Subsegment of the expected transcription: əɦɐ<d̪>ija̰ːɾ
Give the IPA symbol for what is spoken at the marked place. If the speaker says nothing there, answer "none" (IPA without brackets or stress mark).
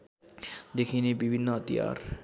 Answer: t̪